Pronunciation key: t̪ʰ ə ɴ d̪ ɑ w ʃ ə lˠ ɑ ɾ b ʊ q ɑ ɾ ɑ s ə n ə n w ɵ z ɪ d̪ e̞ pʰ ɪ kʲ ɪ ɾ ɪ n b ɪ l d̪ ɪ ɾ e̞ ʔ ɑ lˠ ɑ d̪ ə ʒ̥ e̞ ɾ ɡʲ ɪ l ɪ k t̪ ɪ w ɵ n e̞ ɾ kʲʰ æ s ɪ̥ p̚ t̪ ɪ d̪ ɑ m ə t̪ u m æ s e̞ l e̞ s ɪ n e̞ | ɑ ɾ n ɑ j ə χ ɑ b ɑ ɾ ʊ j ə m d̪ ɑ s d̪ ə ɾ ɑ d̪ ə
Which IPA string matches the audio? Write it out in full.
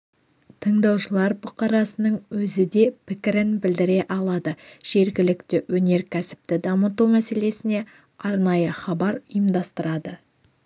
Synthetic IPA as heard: t̪ʰ ə ɴ d̪ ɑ w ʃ ə lˠ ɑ ɾ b ʊ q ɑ ɾ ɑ s ə n ə ɴ w ɵ z ɪ d̪ e̞ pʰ ɪ kʲ ɪ ɾ ɪ n b ɪ l d̪ ɪ ɾ e̞ ʔ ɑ lˠ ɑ d̪ ə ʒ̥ e̞ ɾ ɡʲ ɪ l ɪ k t̪ ɪ w ɵ n e̞ ɾ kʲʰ æ s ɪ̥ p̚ t̪ ɪ d̪ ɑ m ə t̪ u m æ s e̞ l e̞ s ɪ n e̞ | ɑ ɾ n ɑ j ə χ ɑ b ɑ ɾ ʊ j ə m d̪ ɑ s t̪ ə ɾ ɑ d̪ ə